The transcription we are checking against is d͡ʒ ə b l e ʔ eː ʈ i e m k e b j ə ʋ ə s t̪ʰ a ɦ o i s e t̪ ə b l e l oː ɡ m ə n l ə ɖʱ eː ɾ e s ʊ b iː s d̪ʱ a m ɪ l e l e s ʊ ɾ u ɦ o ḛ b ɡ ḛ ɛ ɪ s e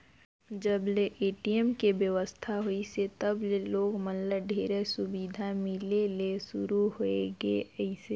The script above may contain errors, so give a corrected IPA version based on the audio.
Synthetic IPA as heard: d͡ʒ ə b l e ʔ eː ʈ i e m k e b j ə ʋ ə s t̪ʰ a ɦ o i s e t̪ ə b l e l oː ɡ m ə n l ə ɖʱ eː ɾ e s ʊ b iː d̪ʱ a m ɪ l e l e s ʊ ɾ u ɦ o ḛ ɡ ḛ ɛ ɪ s e